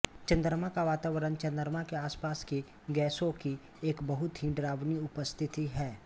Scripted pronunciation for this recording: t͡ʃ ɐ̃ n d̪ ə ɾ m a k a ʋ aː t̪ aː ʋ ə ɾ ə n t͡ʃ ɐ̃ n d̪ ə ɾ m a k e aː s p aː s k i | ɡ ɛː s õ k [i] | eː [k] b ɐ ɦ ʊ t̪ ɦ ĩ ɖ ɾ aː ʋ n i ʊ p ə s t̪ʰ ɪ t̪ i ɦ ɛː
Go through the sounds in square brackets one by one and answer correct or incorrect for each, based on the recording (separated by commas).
correct, correct